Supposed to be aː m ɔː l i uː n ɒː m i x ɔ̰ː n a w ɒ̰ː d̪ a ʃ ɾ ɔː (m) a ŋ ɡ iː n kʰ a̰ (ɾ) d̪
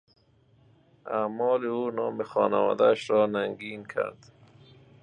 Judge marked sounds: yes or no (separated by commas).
no, yes